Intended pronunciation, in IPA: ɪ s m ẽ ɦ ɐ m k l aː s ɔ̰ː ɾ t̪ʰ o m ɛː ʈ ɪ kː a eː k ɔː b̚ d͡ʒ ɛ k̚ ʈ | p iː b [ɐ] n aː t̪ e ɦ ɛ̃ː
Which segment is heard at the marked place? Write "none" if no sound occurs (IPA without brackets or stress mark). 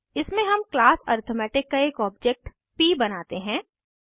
ɐ